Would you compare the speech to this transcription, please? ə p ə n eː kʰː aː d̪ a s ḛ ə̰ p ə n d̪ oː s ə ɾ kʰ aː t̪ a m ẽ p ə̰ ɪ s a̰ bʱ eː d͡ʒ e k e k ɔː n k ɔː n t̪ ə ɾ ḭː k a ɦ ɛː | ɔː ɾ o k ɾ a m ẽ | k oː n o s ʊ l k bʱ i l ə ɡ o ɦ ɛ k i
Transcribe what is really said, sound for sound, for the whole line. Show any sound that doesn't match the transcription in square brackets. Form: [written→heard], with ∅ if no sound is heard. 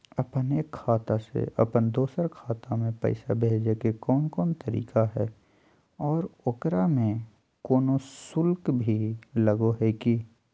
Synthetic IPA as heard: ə p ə n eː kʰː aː [d̪→t̪] a s ḛ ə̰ p ə n d̪ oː s ə ɾ kʰ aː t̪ a m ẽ p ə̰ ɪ s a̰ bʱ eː d͡ʒ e k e k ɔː n k ɔː n t̪ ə ɾ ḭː k a ɦ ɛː | ɔː ɾ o k ɾ a m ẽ | k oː n o s ʊ l k bʱ i l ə ɡ o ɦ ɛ k i

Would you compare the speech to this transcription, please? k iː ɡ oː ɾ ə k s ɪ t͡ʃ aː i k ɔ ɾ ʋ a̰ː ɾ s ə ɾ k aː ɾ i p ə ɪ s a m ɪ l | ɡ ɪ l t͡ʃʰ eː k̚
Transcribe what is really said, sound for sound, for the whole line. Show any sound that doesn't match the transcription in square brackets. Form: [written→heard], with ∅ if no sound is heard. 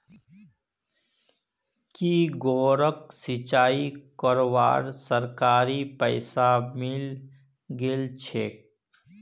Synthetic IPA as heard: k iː ɡ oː ɾ ə k s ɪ t͡ʃ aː i k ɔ ɾ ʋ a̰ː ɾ s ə ɾ k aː ɾ i p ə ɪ s a m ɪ l | ɡ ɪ l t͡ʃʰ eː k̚

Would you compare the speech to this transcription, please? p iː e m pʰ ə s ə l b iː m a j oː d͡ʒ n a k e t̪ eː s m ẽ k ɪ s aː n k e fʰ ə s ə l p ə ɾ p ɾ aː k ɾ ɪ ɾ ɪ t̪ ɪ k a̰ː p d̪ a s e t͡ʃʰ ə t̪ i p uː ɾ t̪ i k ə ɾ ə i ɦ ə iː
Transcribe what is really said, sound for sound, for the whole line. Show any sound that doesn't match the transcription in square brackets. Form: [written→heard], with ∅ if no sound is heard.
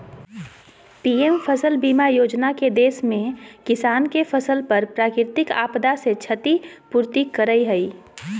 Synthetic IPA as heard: p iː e m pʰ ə s ə l b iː m a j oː d͡ʒ n a k e [t̪→d̪] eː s m ẽ k ɪ s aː n k e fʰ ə s ə l p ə ɾ p ɾ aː k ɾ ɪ ɾ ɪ t̪ ɪ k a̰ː p d̪ a s e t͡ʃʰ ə t̪ i p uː ɾ t̪ i k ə ɾ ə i ɦ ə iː

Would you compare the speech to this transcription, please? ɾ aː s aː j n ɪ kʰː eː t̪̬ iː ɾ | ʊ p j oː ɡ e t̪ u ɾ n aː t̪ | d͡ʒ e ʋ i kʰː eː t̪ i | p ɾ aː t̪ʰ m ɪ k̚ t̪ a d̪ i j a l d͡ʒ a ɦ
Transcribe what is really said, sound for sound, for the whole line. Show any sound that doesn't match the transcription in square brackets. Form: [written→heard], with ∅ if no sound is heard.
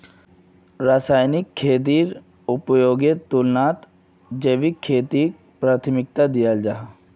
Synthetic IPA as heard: ɾ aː s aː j n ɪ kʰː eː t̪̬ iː ɾ | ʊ p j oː ɡ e t̪ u [ɾ→l] n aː t̪ | d͡ʒ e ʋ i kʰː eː t̪ i | p ɾ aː t̪ʰ m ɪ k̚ t̪ a d̪ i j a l d͡ʒ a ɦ

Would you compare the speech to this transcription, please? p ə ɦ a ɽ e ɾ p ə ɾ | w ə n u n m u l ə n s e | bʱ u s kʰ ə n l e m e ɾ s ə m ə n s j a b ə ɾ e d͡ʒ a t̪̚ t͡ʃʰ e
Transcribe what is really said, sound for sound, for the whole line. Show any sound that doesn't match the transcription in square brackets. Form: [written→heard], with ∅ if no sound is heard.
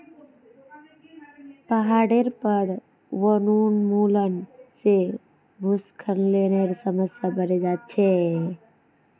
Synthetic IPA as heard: p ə ɦ a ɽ e ɾ p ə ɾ | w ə n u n m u l ə n s e | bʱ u s kʰ ə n l e [m→n] e ɾ s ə m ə [n→∅] s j a b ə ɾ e d͡ʒ a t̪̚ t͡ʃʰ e

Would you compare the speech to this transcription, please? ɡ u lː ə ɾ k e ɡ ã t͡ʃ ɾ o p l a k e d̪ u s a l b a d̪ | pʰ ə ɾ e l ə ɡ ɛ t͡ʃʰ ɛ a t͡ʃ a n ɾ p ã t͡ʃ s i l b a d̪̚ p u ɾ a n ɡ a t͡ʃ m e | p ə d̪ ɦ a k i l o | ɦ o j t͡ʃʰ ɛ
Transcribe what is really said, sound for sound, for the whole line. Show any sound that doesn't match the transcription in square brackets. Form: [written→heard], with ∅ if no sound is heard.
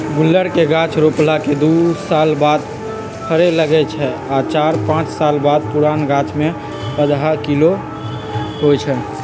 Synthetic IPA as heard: ɡ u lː ə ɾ k e ɡ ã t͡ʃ ɾ o p l a k e d̪ u s a l b a d̪ | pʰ ə ɾ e l ə ɡ ɛ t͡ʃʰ ɛ a t͡ʃ a [n→∅] ɾ p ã t͡ʃ s [i→a] l b a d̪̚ p u ɾ a n ɡ a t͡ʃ m e | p ə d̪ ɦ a k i l o | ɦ o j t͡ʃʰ ɛ

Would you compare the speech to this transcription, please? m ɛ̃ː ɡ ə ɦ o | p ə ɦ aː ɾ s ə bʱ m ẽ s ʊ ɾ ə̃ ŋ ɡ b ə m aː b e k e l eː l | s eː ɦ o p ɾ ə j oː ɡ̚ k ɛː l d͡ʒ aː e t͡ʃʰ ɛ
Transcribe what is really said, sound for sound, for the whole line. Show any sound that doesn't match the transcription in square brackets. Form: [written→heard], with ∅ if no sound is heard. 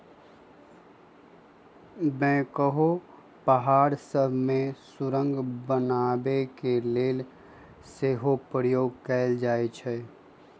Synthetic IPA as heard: m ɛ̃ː [ɡ→k] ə ɦ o | p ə ɦ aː ɾ s ə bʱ m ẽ s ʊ ɾ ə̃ ŋ ɡ b ə [m→n] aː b e k e l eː l | s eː ɦ o p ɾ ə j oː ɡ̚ k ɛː l d͡ʒ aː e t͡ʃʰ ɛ

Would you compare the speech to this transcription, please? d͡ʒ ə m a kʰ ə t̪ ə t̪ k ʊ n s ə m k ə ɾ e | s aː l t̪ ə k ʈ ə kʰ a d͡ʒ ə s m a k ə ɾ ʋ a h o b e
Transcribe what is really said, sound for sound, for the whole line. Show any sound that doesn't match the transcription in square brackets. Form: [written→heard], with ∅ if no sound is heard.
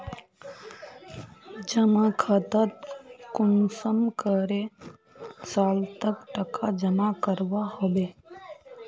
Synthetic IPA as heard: d͡ʒ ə m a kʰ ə t̪ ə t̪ k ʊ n s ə m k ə ɾ e | s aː l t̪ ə k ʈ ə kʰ a d͡ʒ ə [s→∅] m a k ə ɾ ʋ a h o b e

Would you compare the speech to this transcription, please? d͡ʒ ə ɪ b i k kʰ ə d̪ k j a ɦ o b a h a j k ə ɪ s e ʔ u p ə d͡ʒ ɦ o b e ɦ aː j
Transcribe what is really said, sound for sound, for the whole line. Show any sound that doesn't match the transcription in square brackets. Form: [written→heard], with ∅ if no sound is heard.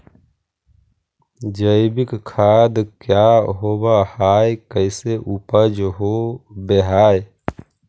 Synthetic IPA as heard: d͡ʒ ə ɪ b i k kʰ [ə→a] d̪ k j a ɦ o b a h a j k ə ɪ s e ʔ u p ə d͡ʒ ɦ o b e ɦ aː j

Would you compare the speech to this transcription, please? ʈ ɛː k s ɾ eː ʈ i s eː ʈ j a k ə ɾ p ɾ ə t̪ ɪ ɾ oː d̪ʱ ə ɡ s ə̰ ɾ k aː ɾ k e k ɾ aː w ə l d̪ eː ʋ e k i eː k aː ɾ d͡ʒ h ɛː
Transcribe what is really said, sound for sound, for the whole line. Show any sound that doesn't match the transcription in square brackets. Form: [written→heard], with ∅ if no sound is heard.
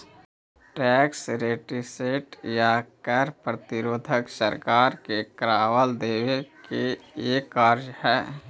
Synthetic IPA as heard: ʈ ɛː k s ɾ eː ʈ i s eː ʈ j a k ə ɾ p ɾ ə t̪ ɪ ɾ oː d̪ʱ ə [ɡ→k] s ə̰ ɾ k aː ɾ k e k ɾ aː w ə l d̪ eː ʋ e k [i→e] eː k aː ɾ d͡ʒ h ɛː

